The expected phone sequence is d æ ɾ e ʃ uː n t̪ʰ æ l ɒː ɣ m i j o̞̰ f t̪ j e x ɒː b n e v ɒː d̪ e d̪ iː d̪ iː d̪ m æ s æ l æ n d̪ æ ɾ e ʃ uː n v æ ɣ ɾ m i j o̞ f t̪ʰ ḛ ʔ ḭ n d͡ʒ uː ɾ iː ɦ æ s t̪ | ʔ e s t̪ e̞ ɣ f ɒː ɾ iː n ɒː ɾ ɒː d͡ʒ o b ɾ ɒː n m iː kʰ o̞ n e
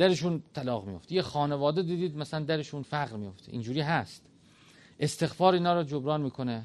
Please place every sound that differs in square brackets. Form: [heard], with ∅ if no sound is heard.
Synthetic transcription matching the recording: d æ ɾ e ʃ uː n t̪ʰ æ l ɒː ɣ m i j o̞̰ f t̪ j e x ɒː [∅] n e v ɒː d̪ e d̪ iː d̪ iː d̪ m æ s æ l æ n d̪ æ ɾ e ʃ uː n [f] æ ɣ ɾ m i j o̞ f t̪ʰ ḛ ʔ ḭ n d͡ʒ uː ɾ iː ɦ æ s t̪ | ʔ e s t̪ e̞ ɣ f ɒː ɾ iː n ɒː ɾ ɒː d͡ʒ o b ɾ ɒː n m iː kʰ o̞ n e